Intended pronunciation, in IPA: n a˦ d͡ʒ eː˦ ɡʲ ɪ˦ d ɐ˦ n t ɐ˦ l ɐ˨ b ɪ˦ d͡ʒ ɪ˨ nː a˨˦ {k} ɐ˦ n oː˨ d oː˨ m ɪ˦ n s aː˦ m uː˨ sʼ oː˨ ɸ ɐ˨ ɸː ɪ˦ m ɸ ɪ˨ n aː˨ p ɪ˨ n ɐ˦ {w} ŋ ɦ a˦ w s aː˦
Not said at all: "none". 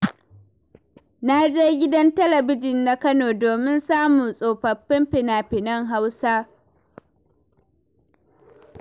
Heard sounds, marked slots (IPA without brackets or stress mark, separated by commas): k, none